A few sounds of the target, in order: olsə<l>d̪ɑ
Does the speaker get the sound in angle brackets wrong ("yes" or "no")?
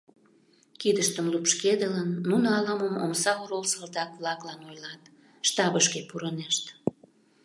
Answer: no